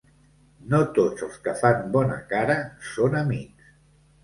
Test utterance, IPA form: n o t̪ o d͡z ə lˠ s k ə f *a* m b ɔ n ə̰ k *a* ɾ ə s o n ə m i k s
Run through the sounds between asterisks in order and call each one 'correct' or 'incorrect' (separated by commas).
correct, correct